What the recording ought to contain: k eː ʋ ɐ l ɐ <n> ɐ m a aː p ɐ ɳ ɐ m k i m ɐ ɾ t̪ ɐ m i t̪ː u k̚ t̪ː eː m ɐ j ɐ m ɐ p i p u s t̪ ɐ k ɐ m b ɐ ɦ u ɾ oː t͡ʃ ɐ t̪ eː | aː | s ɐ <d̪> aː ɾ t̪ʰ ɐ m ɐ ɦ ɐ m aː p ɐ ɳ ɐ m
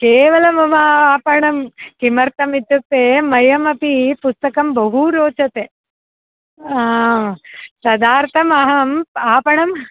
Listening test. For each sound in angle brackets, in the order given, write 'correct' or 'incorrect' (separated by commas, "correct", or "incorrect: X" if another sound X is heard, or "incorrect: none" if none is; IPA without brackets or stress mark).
incorrect: m, correct